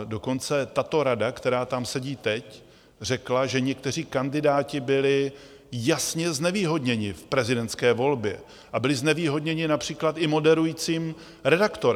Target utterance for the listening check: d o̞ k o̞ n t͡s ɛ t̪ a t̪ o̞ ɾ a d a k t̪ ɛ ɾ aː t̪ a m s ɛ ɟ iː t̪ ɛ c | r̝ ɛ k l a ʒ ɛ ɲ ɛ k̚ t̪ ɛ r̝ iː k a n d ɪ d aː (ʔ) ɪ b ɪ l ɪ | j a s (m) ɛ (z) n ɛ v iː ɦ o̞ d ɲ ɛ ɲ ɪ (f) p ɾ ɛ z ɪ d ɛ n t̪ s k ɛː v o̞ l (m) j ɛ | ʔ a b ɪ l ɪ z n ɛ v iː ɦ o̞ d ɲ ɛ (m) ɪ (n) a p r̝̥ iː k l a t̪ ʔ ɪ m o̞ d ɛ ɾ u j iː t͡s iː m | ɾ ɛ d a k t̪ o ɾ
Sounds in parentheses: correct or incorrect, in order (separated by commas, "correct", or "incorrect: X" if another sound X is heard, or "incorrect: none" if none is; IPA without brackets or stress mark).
incorrect: c, incorrect: ɲ, correct, correct, incorrect: b, incorrect: ɲ, correct